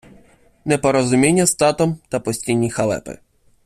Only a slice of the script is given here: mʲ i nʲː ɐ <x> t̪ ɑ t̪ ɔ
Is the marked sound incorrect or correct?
incorrect